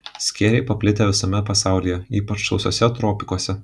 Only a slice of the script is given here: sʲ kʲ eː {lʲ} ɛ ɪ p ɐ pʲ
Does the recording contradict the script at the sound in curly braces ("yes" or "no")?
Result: yes